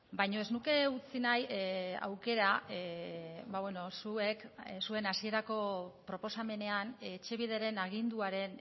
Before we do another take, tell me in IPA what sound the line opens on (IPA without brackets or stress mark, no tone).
b